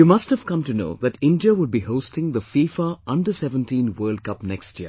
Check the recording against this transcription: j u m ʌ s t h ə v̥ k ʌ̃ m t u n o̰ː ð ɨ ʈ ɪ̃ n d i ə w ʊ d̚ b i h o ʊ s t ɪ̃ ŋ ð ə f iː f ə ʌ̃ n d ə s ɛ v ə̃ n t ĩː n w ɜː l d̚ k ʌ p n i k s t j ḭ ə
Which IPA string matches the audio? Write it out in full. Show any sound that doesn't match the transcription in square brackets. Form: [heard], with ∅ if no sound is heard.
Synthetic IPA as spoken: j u m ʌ s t h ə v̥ k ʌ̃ m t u n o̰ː ð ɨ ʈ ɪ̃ n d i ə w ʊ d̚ b i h o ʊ s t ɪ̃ ŋ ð ə f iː f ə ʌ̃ n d ə s ɛ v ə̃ n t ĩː n w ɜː l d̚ k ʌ p n [ɛ] k s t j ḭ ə